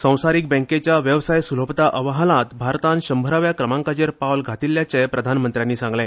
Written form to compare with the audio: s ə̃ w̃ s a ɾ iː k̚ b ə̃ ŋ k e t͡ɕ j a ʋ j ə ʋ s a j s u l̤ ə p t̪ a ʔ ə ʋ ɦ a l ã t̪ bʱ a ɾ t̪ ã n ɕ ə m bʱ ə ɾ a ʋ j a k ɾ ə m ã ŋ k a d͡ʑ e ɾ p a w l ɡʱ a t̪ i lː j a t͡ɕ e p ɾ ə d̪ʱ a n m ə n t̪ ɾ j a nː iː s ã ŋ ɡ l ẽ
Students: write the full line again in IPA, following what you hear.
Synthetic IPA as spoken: s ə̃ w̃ s a ɾ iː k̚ b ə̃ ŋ k e t͡ɕ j a ʋ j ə ʋ s a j s u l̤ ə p t̪ a ʔ ə ʋ ɦ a l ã t̪ bʱ a ɾ t̪ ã n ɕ ə m bʱ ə ɾ a ʋ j a k ɾ ə m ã ŋ k a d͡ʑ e ɾ p a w l ɡʱ a t̪ i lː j a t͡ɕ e p ɾ ə d̪ʱ a n m ə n t̪ ɾ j a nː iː s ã ŋ ɡ l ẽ

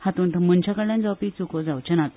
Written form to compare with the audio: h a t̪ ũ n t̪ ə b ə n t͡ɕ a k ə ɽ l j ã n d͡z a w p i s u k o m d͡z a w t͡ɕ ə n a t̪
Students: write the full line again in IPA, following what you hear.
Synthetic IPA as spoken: h a t̪ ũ n t̪ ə m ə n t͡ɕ a k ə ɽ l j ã n d͡z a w p i t͡s u k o d͡z a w t͡ɕ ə n a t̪

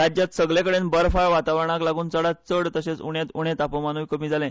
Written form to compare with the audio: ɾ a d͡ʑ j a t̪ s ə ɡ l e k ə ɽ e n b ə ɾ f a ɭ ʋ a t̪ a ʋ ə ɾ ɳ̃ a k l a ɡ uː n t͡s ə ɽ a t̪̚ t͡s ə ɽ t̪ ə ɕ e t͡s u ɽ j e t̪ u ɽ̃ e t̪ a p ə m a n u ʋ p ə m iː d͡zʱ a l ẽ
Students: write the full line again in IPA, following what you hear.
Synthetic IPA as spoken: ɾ a d͡ʑ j a t̪ s ə ɡ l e k ə ɽ e n b ə ɾ f a ɭ ʋ a t̪ a ʋ ə ɾ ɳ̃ a k l a ɡ uː n t͡s ə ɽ a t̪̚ t͡s ə ɽ t̪ ə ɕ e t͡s u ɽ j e t̪ u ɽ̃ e t̪ a p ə m a n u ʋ k ə m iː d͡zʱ a l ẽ

